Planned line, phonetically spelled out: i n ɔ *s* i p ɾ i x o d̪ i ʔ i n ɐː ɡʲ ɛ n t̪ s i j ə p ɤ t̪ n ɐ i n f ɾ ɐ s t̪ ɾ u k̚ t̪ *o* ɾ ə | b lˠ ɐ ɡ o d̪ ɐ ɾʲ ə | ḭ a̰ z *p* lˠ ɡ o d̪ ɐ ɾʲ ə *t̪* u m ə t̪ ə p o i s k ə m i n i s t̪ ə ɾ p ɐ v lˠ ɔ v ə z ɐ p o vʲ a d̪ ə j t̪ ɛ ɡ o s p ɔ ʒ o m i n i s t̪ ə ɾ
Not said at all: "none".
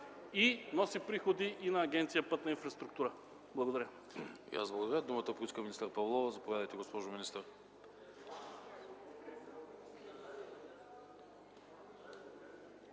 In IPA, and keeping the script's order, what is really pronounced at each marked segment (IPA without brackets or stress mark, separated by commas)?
s, u, b, d̪